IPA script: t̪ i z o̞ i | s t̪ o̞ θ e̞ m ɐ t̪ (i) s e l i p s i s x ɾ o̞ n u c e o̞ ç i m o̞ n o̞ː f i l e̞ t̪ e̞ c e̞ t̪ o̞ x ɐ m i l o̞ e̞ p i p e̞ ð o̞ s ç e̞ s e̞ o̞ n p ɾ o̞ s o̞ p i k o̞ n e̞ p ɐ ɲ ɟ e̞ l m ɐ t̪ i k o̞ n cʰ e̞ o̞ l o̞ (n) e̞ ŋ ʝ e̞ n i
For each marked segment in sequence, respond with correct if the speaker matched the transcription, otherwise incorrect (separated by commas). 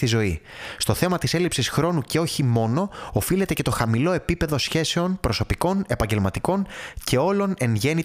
correct, correct